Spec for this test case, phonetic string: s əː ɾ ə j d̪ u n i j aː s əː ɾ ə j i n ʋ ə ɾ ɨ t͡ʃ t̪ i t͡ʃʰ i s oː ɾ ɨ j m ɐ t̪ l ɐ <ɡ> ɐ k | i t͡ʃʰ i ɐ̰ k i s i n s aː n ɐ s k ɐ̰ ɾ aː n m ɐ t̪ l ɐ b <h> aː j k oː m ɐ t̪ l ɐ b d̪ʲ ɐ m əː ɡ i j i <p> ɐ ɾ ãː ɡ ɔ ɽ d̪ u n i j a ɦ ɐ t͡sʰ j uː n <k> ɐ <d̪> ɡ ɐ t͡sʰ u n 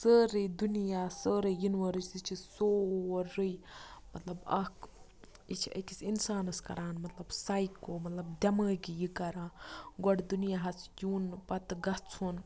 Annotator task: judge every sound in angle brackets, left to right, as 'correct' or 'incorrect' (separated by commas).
incorrect, incorrect, incorrect, incorrect, incorrect